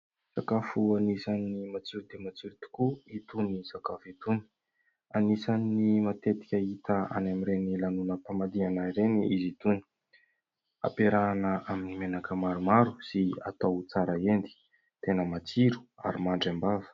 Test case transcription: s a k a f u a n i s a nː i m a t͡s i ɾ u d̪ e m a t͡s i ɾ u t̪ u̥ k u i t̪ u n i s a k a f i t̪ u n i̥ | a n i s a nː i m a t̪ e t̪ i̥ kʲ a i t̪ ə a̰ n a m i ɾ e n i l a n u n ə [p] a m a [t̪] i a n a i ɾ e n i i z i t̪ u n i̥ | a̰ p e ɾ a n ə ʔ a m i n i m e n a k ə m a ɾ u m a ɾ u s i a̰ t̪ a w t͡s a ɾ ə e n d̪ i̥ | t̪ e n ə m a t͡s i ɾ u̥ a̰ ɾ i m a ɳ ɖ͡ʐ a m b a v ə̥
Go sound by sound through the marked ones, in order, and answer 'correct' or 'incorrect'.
correct, incorrect: d̪

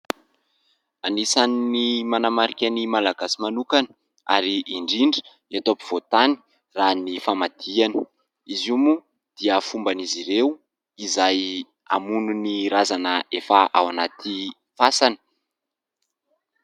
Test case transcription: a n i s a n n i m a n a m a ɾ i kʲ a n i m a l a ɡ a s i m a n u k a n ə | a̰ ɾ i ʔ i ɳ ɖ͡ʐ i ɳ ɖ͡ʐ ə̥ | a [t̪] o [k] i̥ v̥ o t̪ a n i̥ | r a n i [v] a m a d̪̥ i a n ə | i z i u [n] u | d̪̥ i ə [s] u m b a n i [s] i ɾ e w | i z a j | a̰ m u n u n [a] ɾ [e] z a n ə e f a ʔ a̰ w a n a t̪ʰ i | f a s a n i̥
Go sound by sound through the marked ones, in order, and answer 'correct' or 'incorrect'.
correct, incorrect: p, incorrect: f, incorrect: m, incorrect: f, incorrect: z, incorrect: i, incorrect: a

